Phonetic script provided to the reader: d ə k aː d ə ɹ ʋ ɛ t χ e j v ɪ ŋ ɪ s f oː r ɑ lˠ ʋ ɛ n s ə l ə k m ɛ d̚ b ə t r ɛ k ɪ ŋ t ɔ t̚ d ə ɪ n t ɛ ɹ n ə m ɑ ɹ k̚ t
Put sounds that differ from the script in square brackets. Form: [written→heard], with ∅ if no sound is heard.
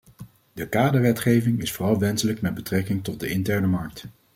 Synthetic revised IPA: d ə k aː d ə ɹ ʋ ɛ t χ e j v ɪ ŋ ɪ s f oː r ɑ lˠ ʋ ɛ n s ə l ə k m ɛ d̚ b ə t r ɛ k ɪ ŋ t ɔ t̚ d ə ɪ n t ɛ ɹ n ə m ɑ ɹ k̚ t